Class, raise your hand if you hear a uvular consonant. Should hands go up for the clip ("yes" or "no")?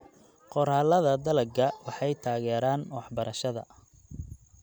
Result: yes